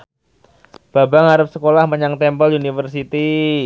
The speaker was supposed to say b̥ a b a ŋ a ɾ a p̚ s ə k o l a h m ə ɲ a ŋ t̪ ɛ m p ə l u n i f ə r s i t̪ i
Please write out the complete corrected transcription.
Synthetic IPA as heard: b̥ a b a ŋ a ɾ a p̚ s ə k o l a h m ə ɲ a ŋ t̪ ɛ m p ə l u n i f ə r s i t̪ i